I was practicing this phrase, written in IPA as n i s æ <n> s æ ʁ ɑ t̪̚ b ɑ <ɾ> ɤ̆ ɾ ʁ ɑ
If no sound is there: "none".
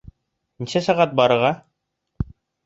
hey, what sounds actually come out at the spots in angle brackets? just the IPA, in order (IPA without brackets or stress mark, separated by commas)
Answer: none, ɾ